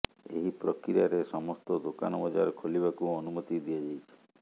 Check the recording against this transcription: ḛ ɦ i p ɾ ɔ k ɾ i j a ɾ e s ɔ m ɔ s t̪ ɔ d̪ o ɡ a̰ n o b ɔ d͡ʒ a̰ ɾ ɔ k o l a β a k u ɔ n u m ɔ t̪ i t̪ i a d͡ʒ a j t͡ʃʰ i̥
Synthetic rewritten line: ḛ ɦ i p ɾ ɔ k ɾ i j a ɾ e s ɔ m ɔ s t̪ ɔ d̪ o k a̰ n ɔ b ɔ d͡ʒ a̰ ɾ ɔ kʰ o l i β a k u ɔ n u m ɔ t̪ i d̪ i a d͡ʒ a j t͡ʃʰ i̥